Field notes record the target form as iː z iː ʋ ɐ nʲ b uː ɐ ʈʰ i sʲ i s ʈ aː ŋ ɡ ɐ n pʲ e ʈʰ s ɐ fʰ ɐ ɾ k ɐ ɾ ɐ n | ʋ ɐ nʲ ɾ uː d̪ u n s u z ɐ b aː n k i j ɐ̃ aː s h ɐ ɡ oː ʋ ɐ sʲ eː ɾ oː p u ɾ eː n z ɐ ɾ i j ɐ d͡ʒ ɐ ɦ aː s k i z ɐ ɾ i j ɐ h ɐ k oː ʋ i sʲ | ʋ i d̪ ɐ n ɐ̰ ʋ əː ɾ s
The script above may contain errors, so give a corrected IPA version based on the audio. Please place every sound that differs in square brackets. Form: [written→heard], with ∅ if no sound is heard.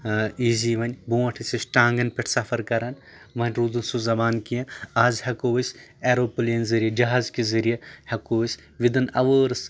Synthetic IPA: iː z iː ʋ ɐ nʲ b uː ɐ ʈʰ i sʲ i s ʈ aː ŋ ɡ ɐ n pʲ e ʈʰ s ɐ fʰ ɐ ɾ k ɐ ɾ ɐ n | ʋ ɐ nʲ ɾ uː d̪ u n s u z ɐ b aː n k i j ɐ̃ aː [s→z] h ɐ [ɡ→k] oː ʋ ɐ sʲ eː ɾ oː p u [ɾ→l] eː n z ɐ ɾ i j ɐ d͡ʒ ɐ ɦ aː [s→z] k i z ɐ ɾ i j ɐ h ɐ k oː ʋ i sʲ | ʋ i d̪ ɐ n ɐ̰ ʋ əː ɾ s